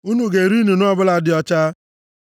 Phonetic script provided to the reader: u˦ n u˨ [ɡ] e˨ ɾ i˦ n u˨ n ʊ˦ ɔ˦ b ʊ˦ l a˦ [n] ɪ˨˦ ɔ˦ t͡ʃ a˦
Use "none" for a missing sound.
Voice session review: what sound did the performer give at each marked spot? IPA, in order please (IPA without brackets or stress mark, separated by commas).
ɡ, d